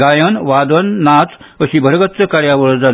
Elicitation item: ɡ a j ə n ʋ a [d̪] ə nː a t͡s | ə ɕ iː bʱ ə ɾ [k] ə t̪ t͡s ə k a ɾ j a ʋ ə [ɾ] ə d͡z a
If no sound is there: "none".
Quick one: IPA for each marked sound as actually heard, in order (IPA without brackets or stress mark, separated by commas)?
d̪, ɡ, ɭ